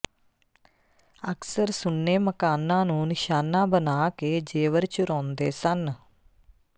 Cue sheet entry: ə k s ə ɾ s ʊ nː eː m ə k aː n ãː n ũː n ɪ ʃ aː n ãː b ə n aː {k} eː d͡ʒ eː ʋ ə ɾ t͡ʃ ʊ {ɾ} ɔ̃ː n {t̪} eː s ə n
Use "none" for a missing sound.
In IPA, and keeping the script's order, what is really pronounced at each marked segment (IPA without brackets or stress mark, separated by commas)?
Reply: k, ɾ, d̪